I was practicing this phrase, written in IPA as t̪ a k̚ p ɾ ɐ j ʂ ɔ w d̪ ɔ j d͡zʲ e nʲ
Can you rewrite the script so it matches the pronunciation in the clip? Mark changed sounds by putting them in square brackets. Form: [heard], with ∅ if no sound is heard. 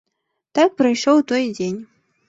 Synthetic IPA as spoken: t̪ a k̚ p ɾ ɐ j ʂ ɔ w [t̪] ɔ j d͡zʲ e nʲ

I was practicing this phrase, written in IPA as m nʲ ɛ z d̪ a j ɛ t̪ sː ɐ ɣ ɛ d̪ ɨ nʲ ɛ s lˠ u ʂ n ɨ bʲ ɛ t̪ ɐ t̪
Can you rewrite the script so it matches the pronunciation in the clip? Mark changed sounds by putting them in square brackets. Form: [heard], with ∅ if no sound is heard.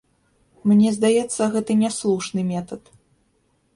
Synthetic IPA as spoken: m nʲ ɛ z d̪ a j ɛ t̪ sː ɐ ɣ ɛ [t̪] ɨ nʲ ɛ s lˠ u ʂ n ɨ [mʲ] ɛ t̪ ɐ t̪

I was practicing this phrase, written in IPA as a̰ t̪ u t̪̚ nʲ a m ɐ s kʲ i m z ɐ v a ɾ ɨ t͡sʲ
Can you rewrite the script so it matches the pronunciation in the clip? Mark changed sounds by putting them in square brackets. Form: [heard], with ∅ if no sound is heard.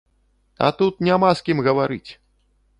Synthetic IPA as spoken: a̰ t̪ u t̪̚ nʲ a m [a] s kʲ i m [ɣ] ɐ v a ɾ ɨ t͡sʲ

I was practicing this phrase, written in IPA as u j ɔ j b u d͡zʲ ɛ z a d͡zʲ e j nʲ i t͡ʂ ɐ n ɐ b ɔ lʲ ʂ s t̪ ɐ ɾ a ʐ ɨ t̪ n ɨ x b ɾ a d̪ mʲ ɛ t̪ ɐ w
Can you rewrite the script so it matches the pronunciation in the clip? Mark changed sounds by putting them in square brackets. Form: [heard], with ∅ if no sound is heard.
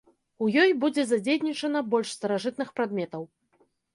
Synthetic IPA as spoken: u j ɔ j b u d͡zʲ ɛ z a d͡zʲ e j nʲ i t͡ʂ ɐ n ɐ b ɔ lʲ ʂ s t̪ ɐ ɾ a ʐ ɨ t̪ n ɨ x [p] ɾ a d̪ mʲ ɛ t̪ ɐ w

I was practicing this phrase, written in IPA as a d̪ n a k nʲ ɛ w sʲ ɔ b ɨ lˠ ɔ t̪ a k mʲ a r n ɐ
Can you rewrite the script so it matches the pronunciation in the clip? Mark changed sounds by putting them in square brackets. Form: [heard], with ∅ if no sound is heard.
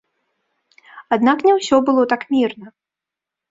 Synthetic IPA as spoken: a d̪ n a k nʲ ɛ w sʲ ɔ b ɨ lˠ ɔ t̪ a k mʲ [i] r n ɐ

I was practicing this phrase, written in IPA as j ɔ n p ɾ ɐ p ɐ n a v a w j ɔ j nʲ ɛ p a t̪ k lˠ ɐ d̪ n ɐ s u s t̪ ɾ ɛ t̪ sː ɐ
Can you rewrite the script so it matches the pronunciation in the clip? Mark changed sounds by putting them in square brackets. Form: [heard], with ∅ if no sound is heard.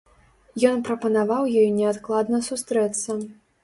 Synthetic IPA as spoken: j ɔ n p ɾ ɐ p ɐ n a v a w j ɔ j nʲ ɛ [∅] a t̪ k lˠ [a] d̪ n ɐ s u s t̪ ɾ ɛ t̪ sː ɐ

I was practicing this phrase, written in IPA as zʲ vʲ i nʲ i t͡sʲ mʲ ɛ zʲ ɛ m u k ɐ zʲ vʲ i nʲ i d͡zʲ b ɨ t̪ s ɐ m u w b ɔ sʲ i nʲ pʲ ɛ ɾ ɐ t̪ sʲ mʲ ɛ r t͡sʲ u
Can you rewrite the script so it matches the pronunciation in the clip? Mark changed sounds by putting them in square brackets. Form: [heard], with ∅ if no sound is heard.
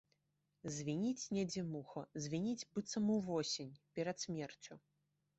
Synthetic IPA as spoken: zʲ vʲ i nʲ i t͡sʲ [nʲ] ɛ [d͡zʲ] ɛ m u [x] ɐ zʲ vʲ i nʲ i d͡zʲ b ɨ t̪ s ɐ m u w [v] ɔ sʲ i nʲ pʲ ɛ ɾ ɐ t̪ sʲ mʲ ɛ r t͡sʲ u

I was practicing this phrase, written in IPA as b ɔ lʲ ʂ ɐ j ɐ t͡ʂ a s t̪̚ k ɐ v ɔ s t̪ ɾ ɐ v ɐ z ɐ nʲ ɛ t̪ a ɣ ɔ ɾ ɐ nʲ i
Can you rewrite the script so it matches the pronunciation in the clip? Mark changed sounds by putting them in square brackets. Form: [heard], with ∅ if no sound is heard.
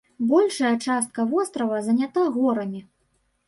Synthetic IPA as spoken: b ɔ lʲ ʂ ɐ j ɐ t͡ʂ a s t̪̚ k ɐ v ɔ s t̪ ɾ ɐ v ɐ z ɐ nʲ [a] t̪ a ɣ ɔ ɾ ɐ [mʲ] i

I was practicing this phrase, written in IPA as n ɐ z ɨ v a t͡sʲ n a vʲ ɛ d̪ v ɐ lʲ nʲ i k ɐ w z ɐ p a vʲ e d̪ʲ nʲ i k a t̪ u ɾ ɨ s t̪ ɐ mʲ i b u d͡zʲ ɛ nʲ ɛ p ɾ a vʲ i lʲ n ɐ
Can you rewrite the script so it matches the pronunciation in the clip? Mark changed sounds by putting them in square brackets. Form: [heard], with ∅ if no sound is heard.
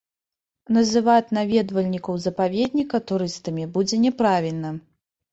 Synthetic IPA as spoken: n ɐ z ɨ v a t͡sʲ n a vʲ ɛ d̪ v ɐ lʲ nʲ i k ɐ w z ɐ p a vʲ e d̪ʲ nʲ i k [ɐ] t̪ u ɾ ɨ s t̪ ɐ mʲ i b u d͡zʲ ɛ nʲ ɛ p ɾ a vʲ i lʲ n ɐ

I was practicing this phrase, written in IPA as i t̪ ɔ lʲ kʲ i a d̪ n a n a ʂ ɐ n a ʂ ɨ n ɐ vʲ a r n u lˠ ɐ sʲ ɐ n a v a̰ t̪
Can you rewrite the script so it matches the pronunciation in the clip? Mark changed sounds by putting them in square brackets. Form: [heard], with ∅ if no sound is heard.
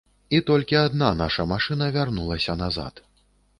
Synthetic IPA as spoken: i t̪ ɔ lʲ kʲ i a d̪ n a n a ʂ ɐ [m] a ʂ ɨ n ɐ vʲ a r n u lˠ ɐ sʲ ɐ n a [z] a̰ t̪

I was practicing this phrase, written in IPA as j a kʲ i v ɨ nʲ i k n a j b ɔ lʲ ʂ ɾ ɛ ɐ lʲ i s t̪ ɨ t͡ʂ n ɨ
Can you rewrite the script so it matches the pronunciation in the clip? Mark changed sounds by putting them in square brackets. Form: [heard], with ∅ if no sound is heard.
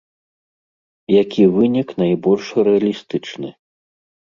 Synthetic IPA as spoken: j a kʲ i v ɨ nʲ i k n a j b ɔ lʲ ʂ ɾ ɛ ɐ lʲ i s t̪ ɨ t͡ʂ n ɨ

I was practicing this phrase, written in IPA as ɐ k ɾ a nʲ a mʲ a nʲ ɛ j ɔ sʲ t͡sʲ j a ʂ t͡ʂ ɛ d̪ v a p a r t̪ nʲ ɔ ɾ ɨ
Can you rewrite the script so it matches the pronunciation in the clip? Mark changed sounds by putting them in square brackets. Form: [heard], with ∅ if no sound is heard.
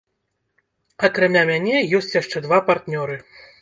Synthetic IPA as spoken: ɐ k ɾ a [mʲ] a mʲ a nʲ ɛ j ɔ sʲ t͡sʲ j a ʂ t͡ʂ ɛ d̪ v a p a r t̪ nʲ ɔ ɾ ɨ

